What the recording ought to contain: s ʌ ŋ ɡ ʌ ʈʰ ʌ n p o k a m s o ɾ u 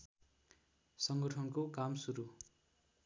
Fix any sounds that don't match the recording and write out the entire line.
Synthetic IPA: s ʌ ŋ ɡ ʌ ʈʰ ʌ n k o k a m s u ɾ u